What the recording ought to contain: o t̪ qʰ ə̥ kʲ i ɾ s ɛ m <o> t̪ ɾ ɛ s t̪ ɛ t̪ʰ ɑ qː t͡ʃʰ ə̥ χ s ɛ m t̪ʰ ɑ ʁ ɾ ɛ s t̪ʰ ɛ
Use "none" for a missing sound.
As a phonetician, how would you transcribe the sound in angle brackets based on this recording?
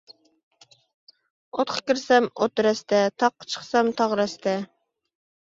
o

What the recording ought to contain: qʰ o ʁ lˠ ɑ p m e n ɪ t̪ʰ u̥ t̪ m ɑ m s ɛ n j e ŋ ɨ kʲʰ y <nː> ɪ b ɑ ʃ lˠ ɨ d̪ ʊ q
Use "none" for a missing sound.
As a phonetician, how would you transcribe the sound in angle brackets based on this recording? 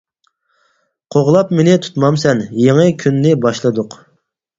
nː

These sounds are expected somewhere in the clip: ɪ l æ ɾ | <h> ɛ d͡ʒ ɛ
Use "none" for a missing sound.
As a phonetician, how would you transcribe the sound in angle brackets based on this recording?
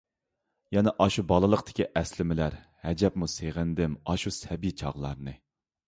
h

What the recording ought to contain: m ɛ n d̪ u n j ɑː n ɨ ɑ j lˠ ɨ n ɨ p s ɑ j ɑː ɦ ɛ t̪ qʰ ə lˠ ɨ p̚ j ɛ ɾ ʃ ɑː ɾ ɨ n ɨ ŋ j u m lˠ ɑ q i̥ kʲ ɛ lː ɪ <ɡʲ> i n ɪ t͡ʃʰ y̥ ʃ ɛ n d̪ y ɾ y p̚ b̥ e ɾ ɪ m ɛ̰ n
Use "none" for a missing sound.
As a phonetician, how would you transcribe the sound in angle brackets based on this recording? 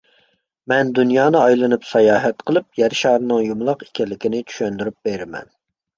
kʲ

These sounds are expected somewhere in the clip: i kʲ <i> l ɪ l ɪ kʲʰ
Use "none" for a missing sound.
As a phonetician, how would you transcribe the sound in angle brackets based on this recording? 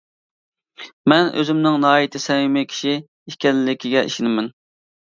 ɛ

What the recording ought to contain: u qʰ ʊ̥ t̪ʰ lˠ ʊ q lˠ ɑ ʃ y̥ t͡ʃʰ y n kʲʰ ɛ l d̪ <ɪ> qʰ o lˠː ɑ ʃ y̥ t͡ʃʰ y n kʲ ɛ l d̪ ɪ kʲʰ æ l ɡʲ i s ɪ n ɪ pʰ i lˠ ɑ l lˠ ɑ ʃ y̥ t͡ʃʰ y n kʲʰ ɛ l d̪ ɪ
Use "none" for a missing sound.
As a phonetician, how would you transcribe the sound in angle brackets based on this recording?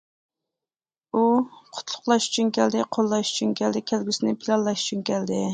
ɪ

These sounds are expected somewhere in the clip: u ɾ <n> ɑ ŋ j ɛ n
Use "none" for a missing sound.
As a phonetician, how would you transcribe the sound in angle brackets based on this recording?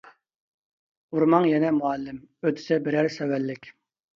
m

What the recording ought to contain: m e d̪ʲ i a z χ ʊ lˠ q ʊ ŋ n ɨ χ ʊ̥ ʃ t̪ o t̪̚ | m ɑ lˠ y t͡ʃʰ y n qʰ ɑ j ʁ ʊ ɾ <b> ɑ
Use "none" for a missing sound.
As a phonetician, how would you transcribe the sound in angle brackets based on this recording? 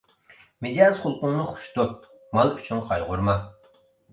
m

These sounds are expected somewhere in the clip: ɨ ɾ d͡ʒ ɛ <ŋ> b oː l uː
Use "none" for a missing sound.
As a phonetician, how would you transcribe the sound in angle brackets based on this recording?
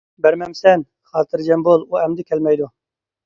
m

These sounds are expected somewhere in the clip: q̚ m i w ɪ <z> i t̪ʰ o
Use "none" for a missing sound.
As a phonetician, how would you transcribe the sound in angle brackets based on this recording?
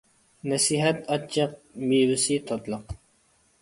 s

